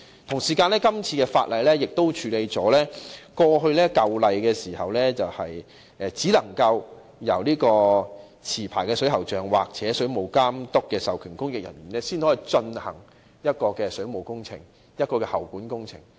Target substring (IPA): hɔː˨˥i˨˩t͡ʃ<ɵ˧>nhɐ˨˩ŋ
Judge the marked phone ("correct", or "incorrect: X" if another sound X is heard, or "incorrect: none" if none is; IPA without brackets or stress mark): correct